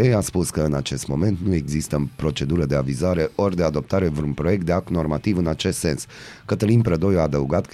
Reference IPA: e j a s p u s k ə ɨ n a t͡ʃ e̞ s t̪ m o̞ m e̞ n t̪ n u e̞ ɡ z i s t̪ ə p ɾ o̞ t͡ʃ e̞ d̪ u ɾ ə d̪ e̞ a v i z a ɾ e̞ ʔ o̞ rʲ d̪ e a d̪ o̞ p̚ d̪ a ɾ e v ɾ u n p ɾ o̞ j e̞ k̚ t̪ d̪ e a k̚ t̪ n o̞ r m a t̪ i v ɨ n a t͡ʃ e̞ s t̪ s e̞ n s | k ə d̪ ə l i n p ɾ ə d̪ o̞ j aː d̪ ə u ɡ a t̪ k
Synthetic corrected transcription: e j a s p u s k ə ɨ n a t͡ʃ e̞ s t̪ m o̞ m e̞ n t̪ n u e̞ ɡ z i s t̪ ə p ɾ o̞ t͡ʃ e̞ d̪ u ɾ ə d̪ e̞ a v i z a ɾ e̞ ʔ o̞ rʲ d̪ e a d̪ o̞ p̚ t̪ a ɾ e v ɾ u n p ɾ o̞ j e̞ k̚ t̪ d̪ e a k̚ t̪ n o̞ r m a t̪ i v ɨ n a t͡ʃ e̞ s t̪ s e̞ n s | k ə t̪ ə l i n p ɾ ə d̪ o̞ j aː d̪ ə u ɡ a t̪ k